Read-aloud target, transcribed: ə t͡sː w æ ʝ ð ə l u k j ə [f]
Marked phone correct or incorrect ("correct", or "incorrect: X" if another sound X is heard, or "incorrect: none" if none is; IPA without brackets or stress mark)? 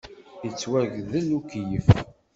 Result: correct